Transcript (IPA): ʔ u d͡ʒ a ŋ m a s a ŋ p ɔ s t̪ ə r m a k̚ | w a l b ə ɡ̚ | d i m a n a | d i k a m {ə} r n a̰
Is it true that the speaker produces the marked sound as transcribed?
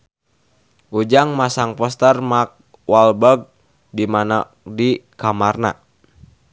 no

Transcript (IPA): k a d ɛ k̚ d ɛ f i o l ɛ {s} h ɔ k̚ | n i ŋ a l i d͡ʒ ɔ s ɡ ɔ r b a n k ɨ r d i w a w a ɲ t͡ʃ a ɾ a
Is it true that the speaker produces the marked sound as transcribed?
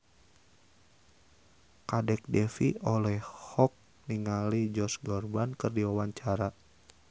no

